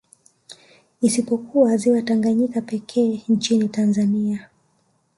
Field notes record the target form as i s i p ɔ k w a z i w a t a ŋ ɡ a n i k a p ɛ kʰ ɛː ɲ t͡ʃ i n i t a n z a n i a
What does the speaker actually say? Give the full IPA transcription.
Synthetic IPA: i s i p ɔ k u a z i w a t a ŋ ɡ a ɲ i k a p ɛ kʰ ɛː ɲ t͡ʃ i n i t a n z a n i a

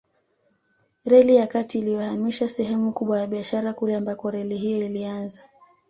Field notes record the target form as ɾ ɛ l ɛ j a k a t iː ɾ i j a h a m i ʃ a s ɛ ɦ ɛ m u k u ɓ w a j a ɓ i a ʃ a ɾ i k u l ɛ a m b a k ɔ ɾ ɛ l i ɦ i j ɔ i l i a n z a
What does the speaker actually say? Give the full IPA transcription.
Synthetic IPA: ɾ ɛ l i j a k a t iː l i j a h a m i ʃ a s ɛ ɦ ɛ m u k u ɓ w a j a ɓ i a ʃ a ɾ a k u l ɛ a m b a k ɔ ɾ ɛ l i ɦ i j ɔ i l i a n z a

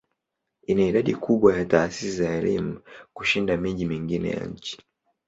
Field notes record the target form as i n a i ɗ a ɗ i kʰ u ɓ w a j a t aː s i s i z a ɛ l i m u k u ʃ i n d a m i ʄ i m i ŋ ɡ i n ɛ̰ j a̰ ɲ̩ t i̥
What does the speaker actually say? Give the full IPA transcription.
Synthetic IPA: i n a i ɗ a ɗ i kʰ u ɓ w a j a t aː s i s i z a ɛ l i m u k u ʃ i n d a m i ʄ i m i ŋ ɡ i n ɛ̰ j a̰ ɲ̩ t͡ʃ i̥

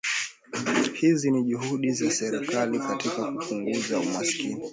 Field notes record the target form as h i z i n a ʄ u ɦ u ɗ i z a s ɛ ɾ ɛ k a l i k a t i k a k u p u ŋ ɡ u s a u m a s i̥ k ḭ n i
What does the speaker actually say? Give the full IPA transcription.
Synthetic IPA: h i z i n i ʄ u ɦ u ɗ i z a s ɛ ɾ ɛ k a l i k a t i k a k u p u ŋ ɡ u z a u m a s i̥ k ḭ n i

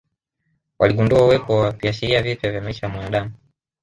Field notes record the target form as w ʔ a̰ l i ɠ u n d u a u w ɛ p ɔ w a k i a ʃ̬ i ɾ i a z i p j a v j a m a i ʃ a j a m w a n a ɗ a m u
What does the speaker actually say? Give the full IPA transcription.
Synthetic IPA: w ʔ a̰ l i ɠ u n d u a u w ɛ p ɔ w a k i a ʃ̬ i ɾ i a v i p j a v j a m a i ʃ a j a m w a n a ɗ a m u

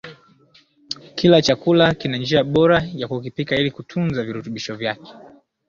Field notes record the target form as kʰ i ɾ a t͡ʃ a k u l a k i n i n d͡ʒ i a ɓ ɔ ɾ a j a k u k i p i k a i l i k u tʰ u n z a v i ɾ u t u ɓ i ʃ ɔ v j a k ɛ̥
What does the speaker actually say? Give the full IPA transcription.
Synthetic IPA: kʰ i l a t͡ʃ a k u l a k i n a n d͡ʒ i a ɓ ɔ ɾ a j a k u k i p i k a i l i k u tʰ u n z a v i ɾ u t u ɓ i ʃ ɔ v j a k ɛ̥

